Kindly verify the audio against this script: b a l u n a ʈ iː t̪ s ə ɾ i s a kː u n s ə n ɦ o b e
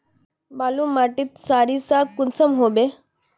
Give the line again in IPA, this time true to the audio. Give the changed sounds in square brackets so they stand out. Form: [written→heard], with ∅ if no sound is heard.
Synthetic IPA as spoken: b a l u [n→m] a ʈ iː t̪ s [ə→a] ɾ i s a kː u n s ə [n→m] ɦ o b e